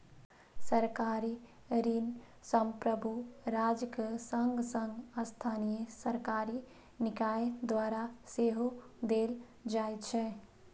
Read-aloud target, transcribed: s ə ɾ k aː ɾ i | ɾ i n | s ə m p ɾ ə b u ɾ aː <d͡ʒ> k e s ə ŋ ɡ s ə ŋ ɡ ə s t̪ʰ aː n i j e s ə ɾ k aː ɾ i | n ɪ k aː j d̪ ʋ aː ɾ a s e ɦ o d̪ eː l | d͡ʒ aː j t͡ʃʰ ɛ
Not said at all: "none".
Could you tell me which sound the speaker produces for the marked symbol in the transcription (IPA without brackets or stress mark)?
d͡ʒ